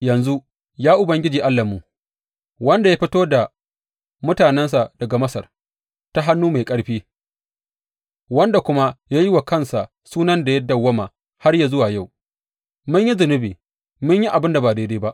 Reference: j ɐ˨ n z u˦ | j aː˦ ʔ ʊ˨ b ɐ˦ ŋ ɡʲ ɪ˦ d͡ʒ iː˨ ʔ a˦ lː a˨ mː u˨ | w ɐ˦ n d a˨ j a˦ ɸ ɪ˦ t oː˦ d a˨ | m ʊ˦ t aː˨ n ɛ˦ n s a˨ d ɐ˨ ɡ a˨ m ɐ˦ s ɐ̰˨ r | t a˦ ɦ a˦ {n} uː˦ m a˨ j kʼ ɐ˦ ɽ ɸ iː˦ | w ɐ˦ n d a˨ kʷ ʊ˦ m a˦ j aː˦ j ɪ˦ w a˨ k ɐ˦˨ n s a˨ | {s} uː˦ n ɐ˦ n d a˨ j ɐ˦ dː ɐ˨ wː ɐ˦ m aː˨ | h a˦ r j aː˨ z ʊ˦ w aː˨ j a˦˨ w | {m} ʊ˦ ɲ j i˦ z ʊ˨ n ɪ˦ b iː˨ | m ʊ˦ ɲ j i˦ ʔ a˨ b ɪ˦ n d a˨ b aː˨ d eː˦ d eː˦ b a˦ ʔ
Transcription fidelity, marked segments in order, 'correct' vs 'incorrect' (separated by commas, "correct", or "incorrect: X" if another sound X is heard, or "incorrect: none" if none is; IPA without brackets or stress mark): incorrect: nː, correct, correct